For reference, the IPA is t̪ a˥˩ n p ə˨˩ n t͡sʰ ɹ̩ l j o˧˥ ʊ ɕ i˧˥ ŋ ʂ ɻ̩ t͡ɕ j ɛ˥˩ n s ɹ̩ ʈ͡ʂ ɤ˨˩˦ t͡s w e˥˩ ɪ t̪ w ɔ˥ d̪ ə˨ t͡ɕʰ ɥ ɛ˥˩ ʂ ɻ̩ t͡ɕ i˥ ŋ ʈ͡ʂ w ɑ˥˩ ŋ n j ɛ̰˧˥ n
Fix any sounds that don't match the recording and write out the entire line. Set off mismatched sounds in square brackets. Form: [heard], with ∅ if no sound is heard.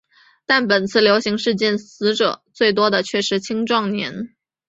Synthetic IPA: t̪ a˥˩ n p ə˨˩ n t͡sʰ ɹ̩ l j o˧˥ ʊ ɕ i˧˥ ŋ ʂ ɻ̩ t͡ɕ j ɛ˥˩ n s ɹ̩ ʈ͡ʂ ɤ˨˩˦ t͡s w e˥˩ ɪ t̪ w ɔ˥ d̪ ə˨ t͡ɕʰ ɥ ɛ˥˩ ʂ ɻ̩ [t͡ɕʰ] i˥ ŋ ʈ͡ʂ w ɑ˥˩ ŋ n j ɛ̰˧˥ n